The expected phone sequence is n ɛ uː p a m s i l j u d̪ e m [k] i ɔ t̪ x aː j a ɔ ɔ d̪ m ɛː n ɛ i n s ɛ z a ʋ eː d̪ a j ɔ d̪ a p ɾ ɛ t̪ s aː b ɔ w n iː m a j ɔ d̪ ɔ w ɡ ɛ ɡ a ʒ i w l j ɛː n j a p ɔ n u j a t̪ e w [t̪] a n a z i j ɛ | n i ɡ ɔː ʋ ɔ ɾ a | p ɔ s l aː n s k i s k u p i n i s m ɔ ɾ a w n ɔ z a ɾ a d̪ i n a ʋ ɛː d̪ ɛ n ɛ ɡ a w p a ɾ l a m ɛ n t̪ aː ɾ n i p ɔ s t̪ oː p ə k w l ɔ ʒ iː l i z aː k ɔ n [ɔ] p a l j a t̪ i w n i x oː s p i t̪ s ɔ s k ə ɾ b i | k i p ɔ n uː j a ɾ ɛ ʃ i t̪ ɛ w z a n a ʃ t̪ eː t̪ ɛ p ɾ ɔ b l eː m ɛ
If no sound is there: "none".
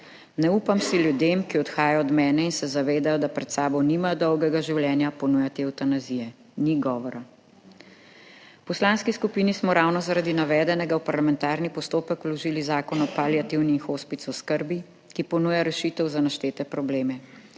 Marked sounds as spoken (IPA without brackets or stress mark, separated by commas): k, t̪, ɔ